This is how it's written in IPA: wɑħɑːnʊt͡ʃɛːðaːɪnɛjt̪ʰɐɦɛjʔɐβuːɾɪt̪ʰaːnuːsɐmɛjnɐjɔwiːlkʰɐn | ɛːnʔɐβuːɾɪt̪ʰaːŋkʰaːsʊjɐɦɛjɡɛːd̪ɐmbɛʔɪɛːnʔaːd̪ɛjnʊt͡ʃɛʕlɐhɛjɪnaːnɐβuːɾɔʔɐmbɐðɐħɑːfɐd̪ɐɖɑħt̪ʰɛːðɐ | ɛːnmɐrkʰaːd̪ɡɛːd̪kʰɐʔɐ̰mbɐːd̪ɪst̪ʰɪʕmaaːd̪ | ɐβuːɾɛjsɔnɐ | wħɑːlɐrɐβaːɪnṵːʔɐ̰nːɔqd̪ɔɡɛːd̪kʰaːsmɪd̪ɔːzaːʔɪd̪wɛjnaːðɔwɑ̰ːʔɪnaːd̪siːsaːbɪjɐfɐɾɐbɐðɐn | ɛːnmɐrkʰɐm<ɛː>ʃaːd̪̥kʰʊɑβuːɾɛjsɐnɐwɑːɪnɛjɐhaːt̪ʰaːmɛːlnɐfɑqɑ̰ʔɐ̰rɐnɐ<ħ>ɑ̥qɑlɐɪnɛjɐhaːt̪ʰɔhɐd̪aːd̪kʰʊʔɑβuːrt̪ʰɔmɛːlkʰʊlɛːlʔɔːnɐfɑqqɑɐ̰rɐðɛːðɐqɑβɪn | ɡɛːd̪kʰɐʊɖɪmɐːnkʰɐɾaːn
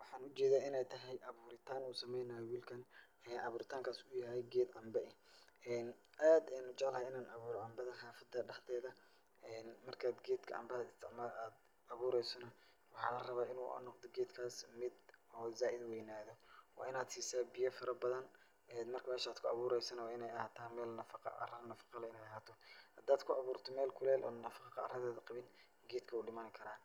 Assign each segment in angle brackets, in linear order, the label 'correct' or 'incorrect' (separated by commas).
correct, incorrect